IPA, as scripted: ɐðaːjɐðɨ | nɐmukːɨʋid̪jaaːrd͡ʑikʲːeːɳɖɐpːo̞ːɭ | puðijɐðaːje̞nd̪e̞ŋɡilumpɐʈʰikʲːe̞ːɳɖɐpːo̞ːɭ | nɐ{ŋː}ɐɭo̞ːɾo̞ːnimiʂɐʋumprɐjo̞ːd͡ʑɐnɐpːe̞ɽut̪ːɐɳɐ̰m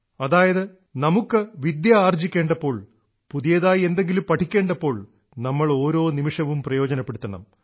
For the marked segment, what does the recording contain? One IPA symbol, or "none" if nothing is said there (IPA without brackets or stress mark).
mː